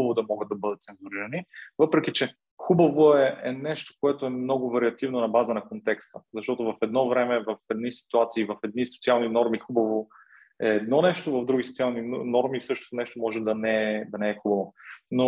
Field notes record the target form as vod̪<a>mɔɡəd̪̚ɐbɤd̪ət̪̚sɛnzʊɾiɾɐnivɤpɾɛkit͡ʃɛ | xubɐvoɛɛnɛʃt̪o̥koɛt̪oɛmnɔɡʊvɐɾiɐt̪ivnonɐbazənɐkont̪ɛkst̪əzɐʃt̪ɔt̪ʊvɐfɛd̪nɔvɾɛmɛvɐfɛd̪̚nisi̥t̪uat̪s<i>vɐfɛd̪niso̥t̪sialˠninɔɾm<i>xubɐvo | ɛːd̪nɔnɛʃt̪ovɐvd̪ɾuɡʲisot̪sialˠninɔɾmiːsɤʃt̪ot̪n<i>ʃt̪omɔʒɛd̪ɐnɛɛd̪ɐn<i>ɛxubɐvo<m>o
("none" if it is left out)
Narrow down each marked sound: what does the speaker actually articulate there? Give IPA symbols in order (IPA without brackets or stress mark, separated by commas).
ɐ, iː, i, ɛ, ɛ, n